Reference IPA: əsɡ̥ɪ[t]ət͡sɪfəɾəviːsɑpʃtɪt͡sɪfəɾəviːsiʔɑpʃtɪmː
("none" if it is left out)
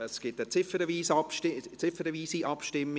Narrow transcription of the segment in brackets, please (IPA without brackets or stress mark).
t